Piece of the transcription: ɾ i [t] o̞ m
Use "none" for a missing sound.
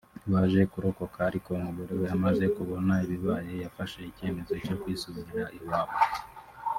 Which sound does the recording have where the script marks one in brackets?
k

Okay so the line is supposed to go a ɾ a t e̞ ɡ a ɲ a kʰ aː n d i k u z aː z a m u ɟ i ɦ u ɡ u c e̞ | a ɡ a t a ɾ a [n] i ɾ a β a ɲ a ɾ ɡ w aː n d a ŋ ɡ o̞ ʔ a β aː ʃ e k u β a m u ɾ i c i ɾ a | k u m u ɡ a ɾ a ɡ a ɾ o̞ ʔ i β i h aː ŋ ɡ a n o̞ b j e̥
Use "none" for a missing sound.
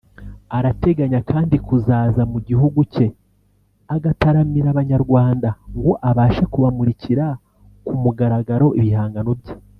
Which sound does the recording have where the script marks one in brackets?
m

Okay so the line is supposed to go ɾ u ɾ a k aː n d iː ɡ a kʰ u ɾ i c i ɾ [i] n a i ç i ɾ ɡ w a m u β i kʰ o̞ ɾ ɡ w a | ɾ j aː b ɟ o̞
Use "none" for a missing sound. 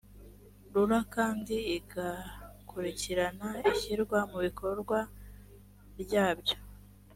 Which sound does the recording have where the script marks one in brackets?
a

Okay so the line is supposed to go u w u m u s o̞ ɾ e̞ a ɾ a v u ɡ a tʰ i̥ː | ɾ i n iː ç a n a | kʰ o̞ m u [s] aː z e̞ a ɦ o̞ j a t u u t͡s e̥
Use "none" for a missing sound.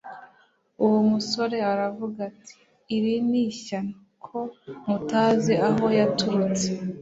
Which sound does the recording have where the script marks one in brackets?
t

